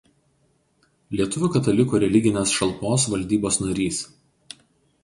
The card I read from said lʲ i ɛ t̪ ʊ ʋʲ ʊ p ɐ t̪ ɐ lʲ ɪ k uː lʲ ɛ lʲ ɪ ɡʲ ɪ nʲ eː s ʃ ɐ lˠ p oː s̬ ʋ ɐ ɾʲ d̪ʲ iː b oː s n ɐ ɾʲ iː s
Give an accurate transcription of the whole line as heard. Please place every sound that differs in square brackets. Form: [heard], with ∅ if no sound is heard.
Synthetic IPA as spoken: lʲ i ɛ t̪ ʊ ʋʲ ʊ [k] ɐ t̪ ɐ lʲ ɪ k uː [ɾʲ] ɛ lʲ ɪ ɡʲ ɪ nʲ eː s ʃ ɐ lˠ p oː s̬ ʋ ɐ [lʲ] d̪ʲ iː b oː s n ɐ ɾʲ iː s